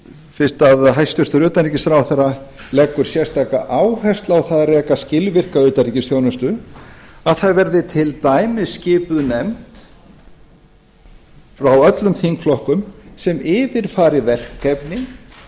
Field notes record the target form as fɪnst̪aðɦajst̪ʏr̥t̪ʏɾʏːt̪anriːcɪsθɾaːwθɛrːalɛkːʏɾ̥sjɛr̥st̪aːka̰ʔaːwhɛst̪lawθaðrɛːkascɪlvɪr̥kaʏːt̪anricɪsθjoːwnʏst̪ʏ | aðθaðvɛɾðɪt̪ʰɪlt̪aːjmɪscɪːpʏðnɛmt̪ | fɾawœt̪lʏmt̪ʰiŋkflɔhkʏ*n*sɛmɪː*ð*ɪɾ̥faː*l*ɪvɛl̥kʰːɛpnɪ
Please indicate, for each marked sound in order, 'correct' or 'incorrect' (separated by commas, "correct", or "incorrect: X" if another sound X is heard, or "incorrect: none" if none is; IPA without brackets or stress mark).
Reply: incorrect: m, incorrect: v, incorrect: ɾ